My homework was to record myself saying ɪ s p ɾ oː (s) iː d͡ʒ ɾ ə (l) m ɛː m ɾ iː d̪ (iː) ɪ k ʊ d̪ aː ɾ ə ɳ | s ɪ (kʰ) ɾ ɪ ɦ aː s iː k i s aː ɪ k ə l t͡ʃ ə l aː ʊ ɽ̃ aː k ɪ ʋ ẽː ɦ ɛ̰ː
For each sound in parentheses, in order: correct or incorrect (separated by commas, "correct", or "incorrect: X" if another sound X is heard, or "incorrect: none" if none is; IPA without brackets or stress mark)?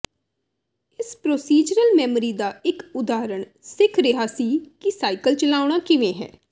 correct, correct, incorrect: aː, correct